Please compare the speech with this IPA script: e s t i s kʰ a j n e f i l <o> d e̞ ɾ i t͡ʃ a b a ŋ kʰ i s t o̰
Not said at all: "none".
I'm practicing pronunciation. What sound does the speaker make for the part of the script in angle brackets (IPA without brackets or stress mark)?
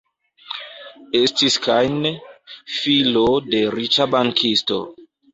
o